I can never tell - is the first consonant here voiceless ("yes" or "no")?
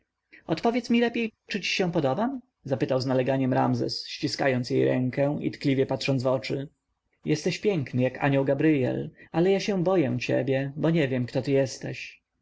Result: yes